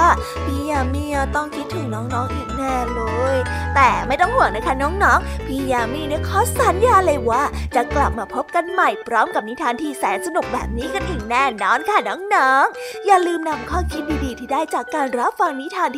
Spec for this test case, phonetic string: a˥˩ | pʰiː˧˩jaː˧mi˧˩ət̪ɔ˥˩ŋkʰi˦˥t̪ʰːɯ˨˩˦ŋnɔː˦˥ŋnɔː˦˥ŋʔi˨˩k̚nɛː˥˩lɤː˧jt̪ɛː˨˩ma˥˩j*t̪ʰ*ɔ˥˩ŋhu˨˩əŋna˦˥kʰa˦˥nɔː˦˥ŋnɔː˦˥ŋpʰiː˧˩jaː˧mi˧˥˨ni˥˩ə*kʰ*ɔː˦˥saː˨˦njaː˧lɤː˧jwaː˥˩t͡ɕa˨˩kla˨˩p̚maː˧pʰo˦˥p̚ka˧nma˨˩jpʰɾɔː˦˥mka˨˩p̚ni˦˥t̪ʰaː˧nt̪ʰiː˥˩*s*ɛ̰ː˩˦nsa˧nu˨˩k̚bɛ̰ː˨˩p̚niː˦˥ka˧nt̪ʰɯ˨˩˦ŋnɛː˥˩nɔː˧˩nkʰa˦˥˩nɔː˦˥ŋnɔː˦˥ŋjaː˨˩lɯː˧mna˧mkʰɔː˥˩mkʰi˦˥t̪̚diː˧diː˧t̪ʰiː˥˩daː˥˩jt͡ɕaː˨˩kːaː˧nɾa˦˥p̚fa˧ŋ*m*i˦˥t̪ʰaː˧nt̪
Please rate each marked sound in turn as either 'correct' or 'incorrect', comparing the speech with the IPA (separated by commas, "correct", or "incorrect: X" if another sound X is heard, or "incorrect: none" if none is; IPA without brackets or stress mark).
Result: incorrect: t̪, correct, correct, incorrect: n